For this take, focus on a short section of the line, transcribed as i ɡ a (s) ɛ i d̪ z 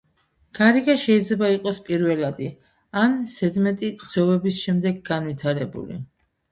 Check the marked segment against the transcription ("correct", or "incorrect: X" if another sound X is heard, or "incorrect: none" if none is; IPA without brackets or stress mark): incorrect: ʃ